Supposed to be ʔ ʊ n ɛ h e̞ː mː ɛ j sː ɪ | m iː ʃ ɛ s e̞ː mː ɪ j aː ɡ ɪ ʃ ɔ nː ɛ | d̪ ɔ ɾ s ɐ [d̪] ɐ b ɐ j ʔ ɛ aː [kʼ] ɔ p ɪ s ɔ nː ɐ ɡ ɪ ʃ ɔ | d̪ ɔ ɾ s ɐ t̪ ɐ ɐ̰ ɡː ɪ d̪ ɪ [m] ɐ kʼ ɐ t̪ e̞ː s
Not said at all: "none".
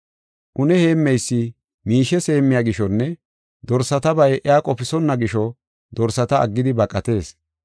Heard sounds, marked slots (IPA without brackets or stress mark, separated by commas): t̪, kʼ, b